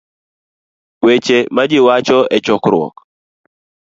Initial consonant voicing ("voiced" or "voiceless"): voiced